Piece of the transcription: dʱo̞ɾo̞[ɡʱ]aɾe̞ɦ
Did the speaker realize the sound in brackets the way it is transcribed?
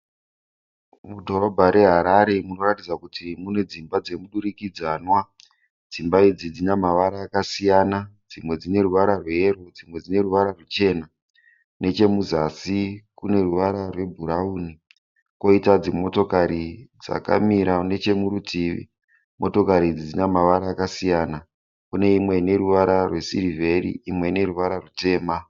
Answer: no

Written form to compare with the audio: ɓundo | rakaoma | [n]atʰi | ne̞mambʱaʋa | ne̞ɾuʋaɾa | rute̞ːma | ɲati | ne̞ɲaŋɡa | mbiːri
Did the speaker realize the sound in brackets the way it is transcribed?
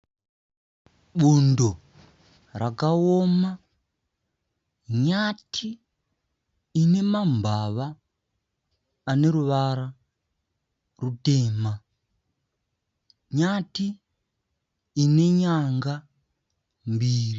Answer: no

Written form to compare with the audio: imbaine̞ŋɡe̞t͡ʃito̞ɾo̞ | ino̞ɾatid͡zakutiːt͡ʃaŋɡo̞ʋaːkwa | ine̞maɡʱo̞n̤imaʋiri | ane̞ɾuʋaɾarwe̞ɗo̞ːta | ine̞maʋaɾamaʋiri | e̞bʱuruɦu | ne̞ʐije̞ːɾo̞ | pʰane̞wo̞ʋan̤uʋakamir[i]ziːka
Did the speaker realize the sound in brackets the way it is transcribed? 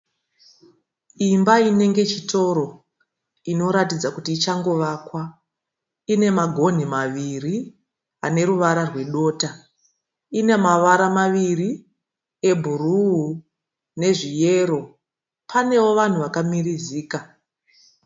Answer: yes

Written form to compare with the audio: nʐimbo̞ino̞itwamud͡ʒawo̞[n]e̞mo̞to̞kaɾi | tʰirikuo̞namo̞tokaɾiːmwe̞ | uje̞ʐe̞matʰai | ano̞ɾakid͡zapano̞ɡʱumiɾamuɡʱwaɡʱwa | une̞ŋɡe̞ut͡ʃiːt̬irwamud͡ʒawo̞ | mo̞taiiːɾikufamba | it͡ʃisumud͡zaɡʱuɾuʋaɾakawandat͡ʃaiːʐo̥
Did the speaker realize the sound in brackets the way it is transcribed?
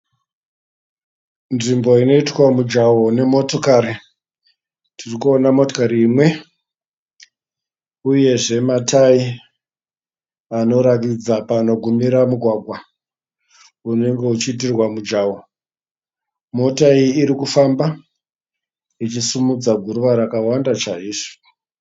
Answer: yes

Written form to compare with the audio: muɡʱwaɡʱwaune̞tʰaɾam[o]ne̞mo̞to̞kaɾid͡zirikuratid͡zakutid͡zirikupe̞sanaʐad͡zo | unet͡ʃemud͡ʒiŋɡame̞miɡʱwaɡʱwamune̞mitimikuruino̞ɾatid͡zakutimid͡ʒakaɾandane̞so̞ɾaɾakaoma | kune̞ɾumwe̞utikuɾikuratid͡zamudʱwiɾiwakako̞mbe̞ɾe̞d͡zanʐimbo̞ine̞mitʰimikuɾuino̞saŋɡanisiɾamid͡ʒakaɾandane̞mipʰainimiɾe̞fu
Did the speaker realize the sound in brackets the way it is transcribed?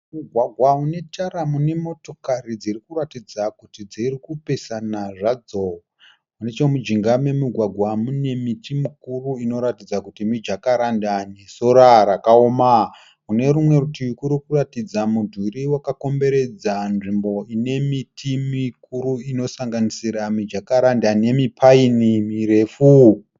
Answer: no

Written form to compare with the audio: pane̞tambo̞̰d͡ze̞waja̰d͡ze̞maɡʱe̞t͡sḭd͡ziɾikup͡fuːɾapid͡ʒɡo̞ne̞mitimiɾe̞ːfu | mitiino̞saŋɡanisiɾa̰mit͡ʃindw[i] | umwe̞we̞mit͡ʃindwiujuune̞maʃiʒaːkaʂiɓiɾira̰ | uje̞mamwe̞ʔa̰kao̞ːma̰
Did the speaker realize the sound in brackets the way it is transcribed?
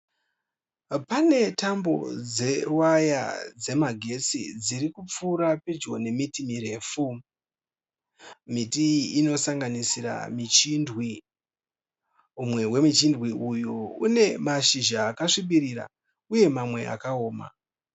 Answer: yes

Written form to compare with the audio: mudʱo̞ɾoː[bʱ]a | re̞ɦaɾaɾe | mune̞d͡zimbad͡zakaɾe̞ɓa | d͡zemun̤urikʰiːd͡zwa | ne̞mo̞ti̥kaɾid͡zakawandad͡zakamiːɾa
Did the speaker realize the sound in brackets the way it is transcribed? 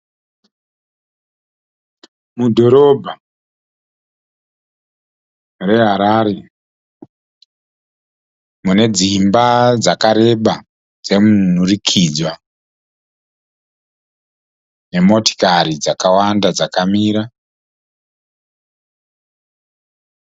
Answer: yes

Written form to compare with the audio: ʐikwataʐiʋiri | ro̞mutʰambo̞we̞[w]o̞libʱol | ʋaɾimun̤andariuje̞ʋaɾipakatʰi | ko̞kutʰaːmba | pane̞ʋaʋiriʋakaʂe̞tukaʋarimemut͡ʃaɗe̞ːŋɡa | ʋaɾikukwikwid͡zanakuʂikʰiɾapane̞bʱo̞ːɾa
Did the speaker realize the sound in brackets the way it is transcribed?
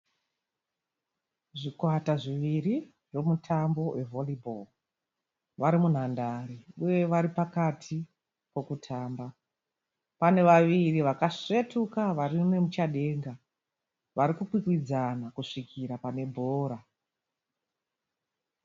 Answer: no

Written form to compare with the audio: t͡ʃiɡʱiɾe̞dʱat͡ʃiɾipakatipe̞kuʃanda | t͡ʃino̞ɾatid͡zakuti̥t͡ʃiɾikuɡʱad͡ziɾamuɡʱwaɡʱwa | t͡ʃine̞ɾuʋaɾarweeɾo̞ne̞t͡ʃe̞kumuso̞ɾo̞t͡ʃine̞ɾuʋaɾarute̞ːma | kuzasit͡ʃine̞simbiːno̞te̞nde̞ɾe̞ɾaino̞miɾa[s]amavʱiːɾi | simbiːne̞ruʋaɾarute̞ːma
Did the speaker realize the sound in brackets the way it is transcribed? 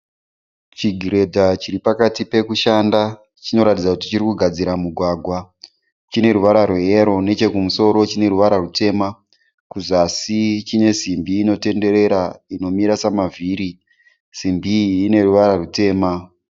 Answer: yes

